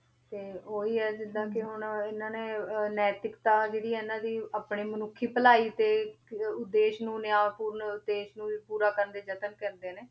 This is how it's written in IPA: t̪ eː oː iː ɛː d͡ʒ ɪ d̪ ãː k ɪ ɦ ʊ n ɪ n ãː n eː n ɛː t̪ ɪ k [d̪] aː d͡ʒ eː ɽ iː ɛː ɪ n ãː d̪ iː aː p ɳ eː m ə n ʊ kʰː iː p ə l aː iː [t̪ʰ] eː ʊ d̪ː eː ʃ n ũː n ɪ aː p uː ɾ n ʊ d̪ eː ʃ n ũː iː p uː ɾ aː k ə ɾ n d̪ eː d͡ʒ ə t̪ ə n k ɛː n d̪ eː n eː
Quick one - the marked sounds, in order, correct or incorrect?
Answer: incorrect, incorrect

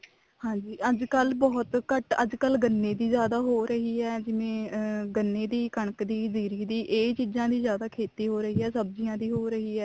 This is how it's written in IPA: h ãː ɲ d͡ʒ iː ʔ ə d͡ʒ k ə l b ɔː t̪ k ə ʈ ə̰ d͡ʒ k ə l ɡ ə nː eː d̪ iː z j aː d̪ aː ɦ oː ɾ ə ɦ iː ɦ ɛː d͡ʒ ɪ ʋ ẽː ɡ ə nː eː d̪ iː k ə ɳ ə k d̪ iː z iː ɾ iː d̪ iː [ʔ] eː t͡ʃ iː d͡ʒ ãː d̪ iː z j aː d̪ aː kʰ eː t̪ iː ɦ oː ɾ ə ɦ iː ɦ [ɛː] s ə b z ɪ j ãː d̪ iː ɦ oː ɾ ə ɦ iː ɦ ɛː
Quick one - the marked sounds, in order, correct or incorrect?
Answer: correct, correct

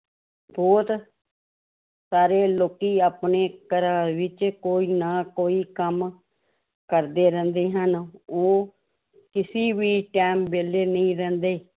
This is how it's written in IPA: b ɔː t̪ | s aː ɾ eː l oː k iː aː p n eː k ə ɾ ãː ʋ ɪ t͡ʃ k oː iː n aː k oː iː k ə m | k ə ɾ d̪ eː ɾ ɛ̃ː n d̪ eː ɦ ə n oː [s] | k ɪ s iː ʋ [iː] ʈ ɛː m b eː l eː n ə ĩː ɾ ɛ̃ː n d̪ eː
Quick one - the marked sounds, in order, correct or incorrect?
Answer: incorrect, correct

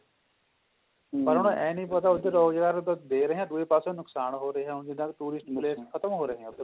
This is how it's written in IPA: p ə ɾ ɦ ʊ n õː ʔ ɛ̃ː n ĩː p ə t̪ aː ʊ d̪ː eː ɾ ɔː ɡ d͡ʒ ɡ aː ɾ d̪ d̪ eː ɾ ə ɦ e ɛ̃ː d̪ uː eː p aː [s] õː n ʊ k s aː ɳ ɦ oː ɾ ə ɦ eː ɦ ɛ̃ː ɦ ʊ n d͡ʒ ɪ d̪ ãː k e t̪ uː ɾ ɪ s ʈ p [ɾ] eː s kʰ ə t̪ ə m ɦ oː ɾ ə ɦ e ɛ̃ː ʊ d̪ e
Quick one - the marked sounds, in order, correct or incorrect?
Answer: correct, incorrect

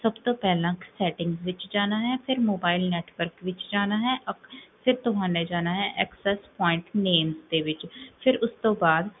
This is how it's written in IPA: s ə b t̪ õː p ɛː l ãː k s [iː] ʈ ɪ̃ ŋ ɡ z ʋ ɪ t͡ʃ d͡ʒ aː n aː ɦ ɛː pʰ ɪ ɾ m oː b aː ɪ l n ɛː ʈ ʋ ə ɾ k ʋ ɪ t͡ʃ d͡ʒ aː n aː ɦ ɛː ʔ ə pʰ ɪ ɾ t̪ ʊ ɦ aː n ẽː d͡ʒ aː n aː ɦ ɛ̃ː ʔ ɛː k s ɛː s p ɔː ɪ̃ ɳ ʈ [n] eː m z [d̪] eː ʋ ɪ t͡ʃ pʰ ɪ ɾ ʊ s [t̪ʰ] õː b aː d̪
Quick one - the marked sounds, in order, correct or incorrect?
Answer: incorrect, correct, correct, incorrect

